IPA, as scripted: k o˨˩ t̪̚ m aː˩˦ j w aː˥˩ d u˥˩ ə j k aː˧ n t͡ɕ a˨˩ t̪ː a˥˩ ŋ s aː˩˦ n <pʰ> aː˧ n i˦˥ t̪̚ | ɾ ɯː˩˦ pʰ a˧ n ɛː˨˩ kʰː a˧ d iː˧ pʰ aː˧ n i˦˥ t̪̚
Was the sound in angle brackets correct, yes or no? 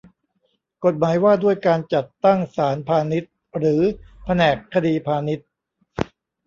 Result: yes